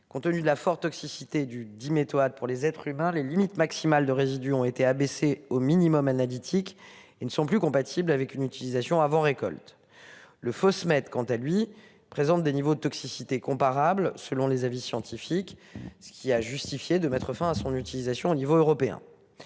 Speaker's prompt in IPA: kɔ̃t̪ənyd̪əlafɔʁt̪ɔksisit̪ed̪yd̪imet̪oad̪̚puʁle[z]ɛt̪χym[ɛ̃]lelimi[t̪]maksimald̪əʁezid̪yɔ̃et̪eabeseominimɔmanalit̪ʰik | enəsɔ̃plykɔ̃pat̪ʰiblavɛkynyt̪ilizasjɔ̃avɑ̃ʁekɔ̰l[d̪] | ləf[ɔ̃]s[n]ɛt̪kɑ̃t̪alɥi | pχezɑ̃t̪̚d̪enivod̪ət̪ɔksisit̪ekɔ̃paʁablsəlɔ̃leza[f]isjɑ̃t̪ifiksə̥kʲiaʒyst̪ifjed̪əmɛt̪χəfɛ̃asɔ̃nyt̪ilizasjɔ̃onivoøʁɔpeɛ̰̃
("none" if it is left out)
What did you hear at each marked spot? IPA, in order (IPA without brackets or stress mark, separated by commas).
z, ɛ̃, t̪, t̪, ɔ, m, v